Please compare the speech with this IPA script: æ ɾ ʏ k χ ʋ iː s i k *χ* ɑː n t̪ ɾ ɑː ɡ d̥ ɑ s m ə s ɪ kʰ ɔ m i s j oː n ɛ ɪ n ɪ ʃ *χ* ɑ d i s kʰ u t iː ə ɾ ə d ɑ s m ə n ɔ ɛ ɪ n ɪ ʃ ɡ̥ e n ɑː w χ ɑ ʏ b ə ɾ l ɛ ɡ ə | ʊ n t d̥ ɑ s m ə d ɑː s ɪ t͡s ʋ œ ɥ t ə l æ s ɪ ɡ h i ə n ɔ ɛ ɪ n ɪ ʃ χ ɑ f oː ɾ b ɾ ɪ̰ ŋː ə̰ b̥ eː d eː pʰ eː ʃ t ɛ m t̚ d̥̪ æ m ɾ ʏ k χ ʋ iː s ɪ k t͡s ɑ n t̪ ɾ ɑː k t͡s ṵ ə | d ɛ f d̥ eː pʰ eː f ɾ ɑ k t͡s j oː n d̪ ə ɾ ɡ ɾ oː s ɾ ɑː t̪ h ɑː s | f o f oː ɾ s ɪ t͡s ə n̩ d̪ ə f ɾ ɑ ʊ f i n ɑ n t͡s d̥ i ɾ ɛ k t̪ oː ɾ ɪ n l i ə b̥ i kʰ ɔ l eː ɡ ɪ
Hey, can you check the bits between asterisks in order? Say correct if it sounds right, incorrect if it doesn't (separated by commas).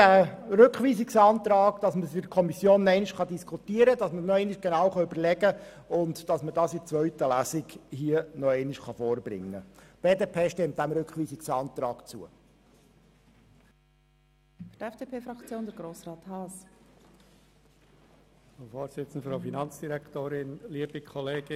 incorrect, correct